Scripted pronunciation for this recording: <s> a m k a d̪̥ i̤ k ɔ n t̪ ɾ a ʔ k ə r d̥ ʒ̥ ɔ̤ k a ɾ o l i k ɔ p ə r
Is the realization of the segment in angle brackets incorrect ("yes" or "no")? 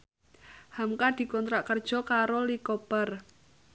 yes